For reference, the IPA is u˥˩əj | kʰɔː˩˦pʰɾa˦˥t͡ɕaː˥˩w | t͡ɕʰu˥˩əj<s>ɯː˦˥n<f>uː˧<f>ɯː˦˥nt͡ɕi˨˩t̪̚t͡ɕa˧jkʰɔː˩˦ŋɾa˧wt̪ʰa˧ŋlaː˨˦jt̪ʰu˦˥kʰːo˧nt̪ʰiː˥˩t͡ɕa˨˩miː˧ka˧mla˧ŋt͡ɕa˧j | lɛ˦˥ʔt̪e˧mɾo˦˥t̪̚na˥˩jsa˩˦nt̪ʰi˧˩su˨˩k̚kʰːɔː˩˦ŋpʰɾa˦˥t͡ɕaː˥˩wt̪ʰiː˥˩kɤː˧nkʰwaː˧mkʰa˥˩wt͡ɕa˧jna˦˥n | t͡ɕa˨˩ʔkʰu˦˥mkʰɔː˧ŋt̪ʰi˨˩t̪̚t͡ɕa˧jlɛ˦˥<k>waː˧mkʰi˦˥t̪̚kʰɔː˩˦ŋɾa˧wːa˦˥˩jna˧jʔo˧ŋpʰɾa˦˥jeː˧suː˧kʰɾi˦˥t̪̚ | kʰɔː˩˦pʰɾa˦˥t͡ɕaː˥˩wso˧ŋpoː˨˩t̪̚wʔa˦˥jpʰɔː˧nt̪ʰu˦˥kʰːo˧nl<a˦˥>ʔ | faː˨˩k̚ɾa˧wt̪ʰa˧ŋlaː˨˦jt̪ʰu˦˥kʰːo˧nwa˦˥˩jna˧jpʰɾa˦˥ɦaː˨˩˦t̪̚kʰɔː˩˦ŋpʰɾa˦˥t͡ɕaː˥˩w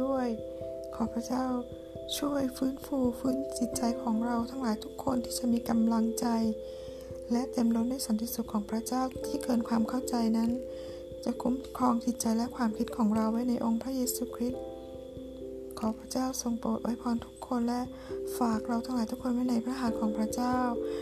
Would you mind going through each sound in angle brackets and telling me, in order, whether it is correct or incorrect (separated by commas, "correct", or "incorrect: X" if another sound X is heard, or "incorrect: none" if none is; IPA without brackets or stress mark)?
incorrect: f, correct, correct, incorrect: kʰ, incorrect: ɛ˦˥